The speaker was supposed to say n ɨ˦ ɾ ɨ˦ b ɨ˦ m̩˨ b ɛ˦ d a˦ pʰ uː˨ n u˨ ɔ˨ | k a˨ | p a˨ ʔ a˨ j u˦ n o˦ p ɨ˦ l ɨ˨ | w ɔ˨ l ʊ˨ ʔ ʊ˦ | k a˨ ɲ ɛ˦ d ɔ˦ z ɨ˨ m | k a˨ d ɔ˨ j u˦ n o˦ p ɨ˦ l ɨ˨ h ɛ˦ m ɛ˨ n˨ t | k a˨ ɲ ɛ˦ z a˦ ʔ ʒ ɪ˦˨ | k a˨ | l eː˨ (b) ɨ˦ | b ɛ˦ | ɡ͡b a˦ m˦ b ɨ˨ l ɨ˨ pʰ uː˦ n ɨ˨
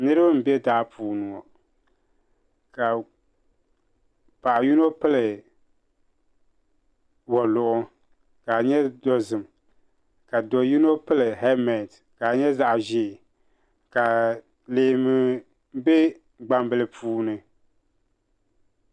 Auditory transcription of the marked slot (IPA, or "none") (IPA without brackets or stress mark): m